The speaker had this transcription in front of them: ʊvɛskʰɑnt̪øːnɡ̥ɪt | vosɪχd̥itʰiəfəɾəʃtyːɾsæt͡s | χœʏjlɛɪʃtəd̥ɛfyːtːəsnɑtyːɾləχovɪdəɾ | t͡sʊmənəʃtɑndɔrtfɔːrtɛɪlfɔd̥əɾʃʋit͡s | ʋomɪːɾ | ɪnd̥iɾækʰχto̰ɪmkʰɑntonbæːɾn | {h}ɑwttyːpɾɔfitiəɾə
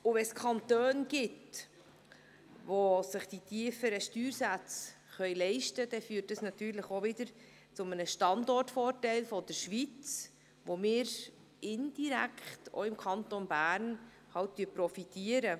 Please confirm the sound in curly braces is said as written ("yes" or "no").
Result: yes